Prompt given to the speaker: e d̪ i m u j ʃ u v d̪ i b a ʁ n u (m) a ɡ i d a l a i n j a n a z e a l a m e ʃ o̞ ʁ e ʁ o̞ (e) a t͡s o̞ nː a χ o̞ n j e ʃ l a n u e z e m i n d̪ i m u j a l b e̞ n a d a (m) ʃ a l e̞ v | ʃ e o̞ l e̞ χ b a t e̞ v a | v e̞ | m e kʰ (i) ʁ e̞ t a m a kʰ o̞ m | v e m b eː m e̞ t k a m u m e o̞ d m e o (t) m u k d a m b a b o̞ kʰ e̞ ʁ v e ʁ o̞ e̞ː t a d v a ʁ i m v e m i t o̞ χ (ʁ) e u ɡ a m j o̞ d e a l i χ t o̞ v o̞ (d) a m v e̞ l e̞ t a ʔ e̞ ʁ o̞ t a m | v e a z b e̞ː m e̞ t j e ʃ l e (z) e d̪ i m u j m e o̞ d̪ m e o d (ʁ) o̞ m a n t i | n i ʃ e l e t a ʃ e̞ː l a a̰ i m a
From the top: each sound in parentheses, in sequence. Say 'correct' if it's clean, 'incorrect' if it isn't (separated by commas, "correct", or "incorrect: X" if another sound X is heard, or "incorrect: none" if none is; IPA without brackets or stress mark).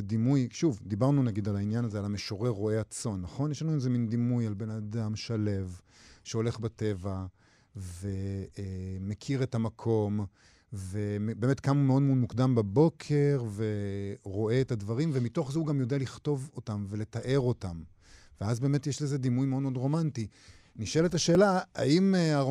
incorrect: n, correct, correct, correct, incorrect: d, incorrect: z, incorrect: t, correct, correct